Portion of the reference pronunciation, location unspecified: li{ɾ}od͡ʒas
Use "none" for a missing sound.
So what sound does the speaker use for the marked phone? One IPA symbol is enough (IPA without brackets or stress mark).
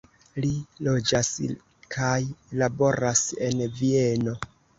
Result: l